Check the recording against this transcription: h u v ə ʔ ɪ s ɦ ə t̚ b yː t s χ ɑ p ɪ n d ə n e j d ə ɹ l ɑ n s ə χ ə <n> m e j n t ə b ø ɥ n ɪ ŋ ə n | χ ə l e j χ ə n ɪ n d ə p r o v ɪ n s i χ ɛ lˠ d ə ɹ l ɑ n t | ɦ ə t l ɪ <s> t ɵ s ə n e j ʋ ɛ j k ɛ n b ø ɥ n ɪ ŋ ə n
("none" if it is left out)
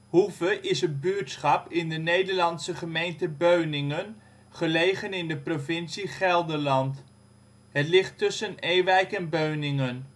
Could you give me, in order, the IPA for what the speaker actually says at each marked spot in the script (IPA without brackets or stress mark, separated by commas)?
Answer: none, χ